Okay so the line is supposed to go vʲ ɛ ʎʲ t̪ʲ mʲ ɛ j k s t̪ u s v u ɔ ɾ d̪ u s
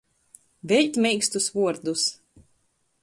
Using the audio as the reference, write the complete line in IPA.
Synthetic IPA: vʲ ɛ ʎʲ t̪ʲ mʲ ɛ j k s t̪ u s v u ɔ ɾ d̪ u s